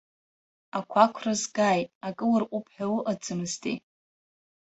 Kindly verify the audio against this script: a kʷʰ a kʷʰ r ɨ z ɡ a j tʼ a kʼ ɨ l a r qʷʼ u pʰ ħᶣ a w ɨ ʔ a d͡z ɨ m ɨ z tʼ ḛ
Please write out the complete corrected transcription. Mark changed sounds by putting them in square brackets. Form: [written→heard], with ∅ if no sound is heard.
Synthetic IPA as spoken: a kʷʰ a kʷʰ r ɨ z ɡ a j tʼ a kʼ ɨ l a r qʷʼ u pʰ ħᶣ a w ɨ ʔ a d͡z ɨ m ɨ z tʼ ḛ